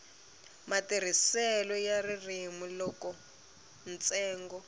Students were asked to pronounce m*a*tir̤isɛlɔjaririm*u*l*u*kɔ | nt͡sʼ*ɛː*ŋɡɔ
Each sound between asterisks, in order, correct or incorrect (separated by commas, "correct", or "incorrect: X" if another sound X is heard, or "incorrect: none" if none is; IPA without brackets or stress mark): correct, correct, incorrect: ɔ, correct